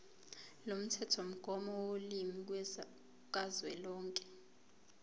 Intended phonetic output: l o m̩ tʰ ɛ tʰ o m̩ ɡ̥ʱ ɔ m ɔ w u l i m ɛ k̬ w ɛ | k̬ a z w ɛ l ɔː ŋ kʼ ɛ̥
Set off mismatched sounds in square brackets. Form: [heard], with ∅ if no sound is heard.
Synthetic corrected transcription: l o m̩ tʰ ɛ tʰ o m̩ ɡ̥ʱ ɔ m ɔ w [o] l i m [i] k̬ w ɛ | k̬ a z w ɛ l ɔː ŋ kʼ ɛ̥